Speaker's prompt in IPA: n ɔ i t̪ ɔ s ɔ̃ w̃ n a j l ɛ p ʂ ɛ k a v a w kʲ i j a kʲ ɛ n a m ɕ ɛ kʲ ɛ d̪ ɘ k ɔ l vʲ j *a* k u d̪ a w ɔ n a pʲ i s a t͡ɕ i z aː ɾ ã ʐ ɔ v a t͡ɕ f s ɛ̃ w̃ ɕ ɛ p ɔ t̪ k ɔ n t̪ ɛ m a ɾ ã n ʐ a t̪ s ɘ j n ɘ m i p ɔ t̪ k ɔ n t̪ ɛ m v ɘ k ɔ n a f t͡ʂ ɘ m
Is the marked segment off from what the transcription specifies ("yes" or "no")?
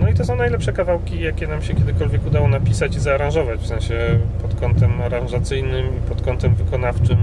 yes